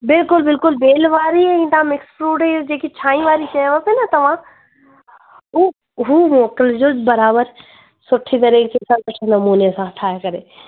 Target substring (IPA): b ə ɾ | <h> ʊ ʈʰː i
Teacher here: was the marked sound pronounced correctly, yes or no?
no